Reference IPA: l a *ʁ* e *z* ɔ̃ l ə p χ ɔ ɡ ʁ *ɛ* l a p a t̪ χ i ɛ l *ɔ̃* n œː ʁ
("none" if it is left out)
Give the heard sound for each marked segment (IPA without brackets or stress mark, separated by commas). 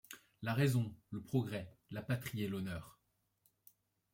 ʁ, z, ɛ, ɔ